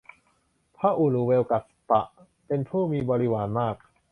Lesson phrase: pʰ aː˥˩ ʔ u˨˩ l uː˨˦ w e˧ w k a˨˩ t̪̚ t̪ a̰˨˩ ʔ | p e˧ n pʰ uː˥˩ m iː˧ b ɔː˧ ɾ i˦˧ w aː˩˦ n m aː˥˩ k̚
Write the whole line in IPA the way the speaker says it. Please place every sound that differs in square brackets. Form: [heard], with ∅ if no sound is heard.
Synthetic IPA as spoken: pʰ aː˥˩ ʔ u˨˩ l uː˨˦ w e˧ w k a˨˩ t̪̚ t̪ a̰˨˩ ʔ | p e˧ n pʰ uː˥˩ m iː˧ b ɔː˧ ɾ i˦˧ w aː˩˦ n m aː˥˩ k̚